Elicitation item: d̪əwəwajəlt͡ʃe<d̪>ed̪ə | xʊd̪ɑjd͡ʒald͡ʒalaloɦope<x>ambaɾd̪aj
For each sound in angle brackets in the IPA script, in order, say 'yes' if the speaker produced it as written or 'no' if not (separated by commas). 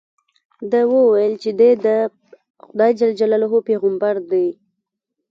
yes, no